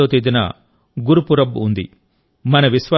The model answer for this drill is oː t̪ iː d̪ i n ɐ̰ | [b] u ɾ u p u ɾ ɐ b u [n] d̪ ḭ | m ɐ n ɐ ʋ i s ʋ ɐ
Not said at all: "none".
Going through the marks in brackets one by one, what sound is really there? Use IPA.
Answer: ɡ, n

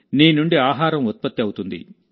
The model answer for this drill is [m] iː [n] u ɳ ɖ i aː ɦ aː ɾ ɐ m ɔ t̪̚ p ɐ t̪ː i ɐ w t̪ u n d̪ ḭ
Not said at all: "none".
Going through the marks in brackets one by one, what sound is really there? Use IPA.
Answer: n, n

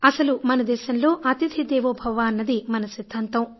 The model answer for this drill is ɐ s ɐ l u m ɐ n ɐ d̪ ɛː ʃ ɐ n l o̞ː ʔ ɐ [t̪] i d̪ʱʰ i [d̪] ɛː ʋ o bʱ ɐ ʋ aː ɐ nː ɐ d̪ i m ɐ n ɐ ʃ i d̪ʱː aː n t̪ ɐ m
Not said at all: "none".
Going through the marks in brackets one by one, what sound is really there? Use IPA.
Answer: t̪, d̪

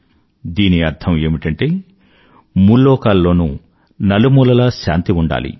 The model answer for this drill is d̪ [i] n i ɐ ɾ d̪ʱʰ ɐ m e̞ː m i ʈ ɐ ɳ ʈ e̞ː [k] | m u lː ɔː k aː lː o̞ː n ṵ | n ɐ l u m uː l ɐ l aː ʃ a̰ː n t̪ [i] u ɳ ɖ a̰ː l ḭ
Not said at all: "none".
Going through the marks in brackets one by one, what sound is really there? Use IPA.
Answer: iː, none, i

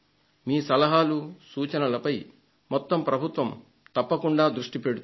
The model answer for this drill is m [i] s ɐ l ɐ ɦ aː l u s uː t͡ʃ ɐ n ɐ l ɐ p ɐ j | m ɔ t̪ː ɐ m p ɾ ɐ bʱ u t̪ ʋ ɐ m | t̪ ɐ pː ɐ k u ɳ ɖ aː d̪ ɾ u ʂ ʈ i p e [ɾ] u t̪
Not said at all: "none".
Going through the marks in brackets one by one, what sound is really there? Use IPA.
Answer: iː, ɽ

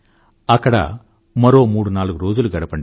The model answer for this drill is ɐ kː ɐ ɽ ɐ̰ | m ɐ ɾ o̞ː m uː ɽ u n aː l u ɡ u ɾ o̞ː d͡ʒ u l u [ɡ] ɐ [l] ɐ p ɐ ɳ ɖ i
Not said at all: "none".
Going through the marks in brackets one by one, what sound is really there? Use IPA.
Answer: ɡ, ɽ

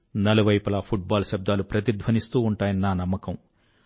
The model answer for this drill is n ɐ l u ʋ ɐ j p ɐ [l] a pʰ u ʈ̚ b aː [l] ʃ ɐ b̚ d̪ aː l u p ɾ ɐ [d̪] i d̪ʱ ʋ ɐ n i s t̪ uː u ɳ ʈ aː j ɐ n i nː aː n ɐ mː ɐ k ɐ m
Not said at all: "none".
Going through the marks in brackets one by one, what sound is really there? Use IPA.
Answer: l, l, t̪

